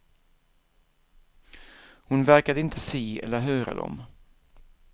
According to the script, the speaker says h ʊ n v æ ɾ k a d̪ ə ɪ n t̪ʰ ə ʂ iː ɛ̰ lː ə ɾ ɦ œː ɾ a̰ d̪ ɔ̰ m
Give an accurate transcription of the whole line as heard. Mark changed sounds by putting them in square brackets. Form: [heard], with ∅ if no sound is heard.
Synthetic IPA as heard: h ʊ n v æ ɾ k a d̪ ə ɪ n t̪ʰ ə [s] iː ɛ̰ lː ə ɾ ɦ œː ɾ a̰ d̪ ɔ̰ m